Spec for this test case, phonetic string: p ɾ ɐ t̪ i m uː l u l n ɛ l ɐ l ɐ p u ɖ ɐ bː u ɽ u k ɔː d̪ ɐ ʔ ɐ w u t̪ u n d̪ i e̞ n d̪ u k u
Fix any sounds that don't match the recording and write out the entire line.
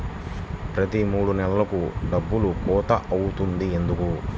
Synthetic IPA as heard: p ɾ ɐ t̪ i m uː ɽ u n ɛ l ɐ l ɐ k u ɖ ɐ bː u l u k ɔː t̪ ɐ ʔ ɐ w u t̪ u n d̪ i e̞ n d̪ u k u